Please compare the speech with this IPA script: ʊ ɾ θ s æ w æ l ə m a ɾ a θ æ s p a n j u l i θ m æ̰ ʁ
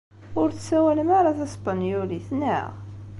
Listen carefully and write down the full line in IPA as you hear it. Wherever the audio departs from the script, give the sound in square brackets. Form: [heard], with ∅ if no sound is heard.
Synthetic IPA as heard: ʊ ɾ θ s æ w æ l ə m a ɾ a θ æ s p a n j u l i θ [n] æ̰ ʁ